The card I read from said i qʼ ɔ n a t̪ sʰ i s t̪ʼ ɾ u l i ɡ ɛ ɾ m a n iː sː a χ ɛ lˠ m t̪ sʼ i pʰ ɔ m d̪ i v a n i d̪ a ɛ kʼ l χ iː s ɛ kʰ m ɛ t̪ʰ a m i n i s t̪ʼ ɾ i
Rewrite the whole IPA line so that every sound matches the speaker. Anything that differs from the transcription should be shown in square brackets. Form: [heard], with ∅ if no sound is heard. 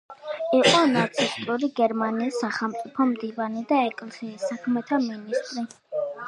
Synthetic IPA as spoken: i qʼ ɔ n a t̪ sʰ i s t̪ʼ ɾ u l i ɡ ɛ ɾ m a n iː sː a χ ɛ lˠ m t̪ sʼ i pʰ ɔ m d̪ i v a n i d̪ a ɛ kʼ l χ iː s [a] kʰ m ɛ t̪ʰ a m i n i s t̪ʼ ɾ i

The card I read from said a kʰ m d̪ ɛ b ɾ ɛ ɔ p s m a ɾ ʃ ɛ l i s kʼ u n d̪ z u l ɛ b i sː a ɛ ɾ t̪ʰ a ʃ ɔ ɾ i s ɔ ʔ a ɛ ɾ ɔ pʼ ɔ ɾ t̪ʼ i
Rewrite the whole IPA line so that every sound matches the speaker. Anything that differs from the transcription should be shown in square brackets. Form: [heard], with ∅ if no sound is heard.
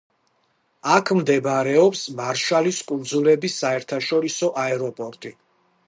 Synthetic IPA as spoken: a kʰ m d̪ ɛ b ɾ ɛ ɔ p s m a ɾ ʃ [a] l i s kʼ u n d̪ z u l ɛ b i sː a ɛ ɾ t̪ʰ a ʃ ɔ ɾ i s ɔ ʔ a ɛ ɾ ɔ pʼ ɔ ɾ t̪ʼ i

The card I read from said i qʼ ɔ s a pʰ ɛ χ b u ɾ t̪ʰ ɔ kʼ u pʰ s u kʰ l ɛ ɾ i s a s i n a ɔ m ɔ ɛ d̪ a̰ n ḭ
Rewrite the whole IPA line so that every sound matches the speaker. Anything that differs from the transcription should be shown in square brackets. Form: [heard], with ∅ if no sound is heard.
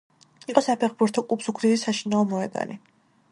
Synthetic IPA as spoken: i qʼ ɔ s a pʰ ɛ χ b u ɾ t̪ʰ ɔ kʼ u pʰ s u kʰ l [i] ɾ i s a [ʃ] i n a ɔ m ɔ ɛ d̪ a̰ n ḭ

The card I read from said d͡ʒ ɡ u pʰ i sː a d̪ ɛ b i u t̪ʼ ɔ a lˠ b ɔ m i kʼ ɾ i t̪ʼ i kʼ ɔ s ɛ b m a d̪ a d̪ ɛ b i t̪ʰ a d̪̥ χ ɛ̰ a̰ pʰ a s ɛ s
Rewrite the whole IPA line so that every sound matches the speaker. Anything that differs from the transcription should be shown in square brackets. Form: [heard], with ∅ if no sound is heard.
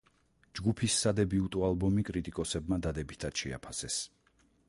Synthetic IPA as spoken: d͡ʒ ɡ u pʰ i sː a d̪ ɛ b i u t̪ʼ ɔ a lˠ b ɔ m i kʼ ɾ i t̪ʼ i kʼ ɔ s ɛ b m a d̪ a d̪ ɛ b i t̪ʰ a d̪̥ [ʃ] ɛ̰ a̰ pʰ a s ɛ s

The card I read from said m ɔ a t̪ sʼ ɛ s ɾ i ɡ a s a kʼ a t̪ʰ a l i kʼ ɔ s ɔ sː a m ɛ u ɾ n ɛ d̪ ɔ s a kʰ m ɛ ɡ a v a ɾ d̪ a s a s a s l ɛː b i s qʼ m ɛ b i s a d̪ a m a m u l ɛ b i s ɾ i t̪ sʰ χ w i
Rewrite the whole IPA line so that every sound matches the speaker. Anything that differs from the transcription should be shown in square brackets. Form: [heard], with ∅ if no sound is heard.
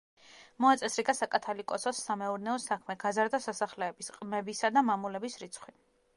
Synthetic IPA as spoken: m ɔ a t̪ sʼ ɛ s ɾ i ɡ a s a kʼ a t̪ʰ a l i kʼ ɔ s ɔ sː a m ɛ u ɾ n ɛ [∅] ɔ s a kʰ m ɛ ɡ a [z] a ɾ d̪ a s a s a [χ] l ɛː b i s qʼ m ɛ b i s a d̪ a m a m u l ɛ b i s ɾ i t̪ sʰ χ w i

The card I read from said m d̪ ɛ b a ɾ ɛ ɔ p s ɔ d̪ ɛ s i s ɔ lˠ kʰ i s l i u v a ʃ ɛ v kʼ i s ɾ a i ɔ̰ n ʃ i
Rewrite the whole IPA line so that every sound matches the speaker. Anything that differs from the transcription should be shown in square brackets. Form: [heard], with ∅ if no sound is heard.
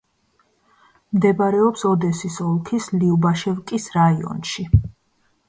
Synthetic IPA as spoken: m d̪ ɛ b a ɾ ɛ ɔ p s ɔ d̪ ɛ s i s ɔ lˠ kʰ i s l i u [b] a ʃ ɛ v kʼ i s ɾ a i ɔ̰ n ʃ i

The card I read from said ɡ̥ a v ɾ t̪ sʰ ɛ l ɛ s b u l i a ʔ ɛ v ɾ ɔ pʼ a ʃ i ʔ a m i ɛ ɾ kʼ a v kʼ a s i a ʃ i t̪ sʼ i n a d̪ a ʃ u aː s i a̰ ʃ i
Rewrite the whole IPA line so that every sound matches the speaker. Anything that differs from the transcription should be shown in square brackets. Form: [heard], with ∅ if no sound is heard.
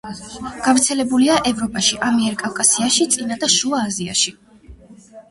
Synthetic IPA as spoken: ɡ̥ a v ɾ t̪ sʰ ɛ l ɛ [∅] b u l i a ʔ ɛ v ɾ ɔ pʼ a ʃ i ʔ a m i ɛ ɾ kʼ a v kʼ a s i a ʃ i t̪ sʼ i n a d̪ a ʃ u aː [z] i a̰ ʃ i

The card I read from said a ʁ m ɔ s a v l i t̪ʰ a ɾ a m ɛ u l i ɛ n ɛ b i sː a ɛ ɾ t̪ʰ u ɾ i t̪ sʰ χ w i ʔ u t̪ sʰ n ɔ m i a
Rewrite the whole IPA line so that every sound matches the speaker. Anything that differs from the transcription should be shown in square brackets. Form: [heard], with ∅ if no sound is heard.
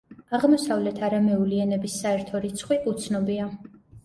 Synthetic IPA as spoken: a ʁ m ɔ s a v l [ɛ] t̪ʰ a ɾ a m ɛ u l i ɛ n ɛ b i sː a ɛ ɾ t̪ʰ [ɔ] ɾ i t̪ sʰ χ w i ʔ u t̪ sʰ n ɔ [b] i a

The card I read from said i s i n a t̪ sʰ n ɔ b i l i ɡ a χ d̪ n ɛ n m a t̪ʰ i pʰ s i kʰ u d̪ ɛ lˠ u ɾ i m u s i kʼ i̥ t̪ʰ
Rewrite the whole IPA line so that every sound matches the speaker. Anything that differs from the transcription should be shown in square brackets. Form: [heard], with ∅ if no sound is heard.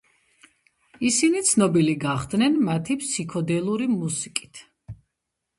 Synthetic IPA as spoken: i s i n [i] t̪ sʰ n ɔ b i l i ɡ a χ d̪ n ɛ n m a t̪ʰ i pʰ s i kʰ [ɔ] d̪ ɛ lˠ u ɾ i m u s i kʼ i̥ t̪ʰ

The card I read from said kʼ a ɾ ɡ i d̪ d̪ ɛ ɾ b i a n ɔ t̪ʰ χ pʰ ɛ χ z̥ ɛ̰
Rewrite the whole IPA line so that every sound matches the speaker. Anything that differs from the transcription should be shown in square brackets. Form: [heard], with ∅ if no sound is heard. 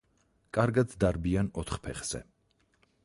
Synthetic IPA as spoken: kʼ a ɾ ɡ [a] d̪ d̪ [a] ɾ b i a n ɔ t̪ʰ χ pʰ ɛ χ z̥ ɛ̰

